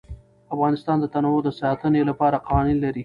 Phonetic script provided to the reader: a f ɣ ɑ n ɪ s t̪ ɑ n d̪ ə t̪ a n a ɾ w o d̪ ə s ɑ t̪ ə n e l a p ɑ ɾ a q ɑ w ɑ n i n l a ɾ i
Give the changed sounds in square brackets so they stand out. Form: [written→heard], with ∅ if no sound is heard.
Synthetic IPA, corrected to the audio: a f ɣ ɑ n ɪ s t̪ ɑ n d̪ ə t̪ a n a [ɾ→∅] w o d̪ ə s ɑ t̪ ə n e l a p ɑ ɾ a q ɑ w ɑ n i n l a ɾ i